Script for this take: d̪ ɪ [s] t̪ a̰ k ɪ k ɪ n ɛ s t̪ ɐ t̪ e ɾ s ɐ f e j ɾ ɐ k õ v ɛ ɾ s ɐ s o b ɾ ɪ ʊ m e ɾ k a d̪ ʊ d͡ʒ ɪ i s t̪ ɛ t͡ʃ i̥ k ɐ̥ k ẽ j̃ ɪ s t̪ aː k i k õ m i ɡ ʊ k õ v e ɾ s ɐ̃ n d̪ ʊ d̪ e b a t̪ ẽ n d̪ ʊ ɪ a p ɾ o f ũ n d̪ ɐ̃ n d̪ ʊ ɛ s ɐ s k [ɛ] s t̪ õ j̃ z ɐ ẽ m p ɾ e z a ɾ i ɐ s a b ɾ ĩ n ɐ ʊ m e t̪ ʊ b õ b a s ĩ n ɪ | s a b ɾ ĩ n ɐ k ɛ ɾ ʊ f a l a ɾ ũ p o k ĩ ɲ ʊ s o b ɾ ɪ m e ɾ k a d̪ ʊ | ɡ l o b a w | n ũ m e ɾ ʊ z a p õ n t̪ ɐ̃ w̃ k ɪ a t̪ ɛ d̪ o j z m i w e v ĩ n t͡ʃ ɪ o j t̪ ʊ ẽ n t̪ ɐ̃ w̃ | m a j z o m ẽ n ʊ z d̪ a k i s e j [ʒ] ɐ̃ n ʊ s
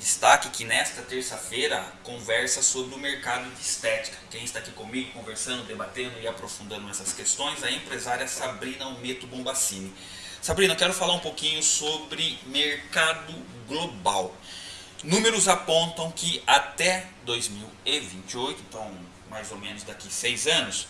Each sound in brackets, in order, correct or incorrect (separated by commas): correct, incorrect, incorrect